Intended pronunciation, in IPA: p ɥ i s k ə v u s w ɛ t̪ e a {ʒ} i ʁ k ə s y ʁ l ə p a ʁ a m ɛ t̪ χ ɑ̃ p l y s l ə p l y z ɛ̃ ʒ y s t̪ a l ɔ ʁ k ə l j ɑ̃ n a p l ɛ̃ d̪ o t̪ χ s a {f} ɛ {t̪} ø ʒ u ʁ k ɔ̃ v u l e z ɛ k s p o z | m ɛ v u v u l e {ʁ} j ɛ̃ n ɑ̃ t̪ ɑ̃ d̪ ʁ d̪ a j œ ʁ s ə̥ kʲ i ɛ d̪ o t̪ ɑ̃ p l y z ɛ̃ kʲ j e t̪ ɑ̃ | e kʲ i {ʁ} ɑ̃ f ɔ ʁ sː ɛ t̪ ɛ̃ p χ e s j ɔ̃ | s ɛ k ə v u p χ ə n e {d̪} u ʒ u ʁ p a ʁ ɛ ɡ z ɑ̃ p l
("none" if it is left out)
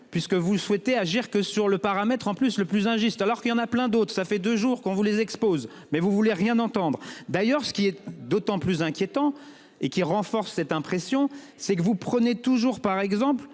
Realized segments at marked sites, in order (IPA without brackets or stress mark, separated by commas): ʒ, f, d̪, ʁ, ʁ, t̪